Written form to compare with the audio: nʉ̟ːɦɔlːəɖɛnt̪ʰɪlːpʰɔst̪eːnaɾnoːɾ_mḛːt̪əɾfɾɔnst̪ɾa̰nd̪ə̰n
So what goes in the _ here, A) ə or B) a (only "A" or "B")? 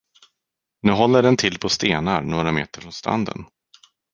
B